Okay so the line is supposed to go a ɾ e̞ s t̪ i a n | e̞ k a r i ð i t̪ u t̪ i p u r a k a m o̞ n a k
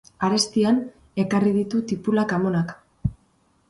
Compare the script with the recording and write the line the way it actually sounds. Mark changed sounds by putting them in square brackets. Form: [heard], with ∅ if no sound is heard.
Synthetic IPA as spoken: a ɾ e̞ s t̪ i a n | e̞ k a r i ð i t̪ u t̪ i p u [l] a k a m o̞ n a k